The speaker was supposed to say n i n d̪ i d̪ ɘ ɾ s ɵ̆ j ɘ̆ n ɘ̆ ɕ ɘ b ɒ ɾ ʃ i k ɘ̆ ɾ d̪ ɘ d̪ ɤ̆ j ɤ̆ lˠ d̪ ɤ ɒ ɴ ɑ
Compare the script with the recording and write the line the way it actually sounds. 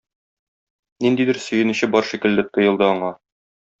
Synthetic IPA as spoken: n i n d̪ i d̪ ɘ ɾ s ɵ̆ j ɘ̆ n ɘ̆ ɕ ɘ b ɒ ɾ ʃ i k ɘ̆ l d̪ ɘ t̪ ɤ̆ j ɤ̆ lˠ d̪ ɤ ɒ ɴ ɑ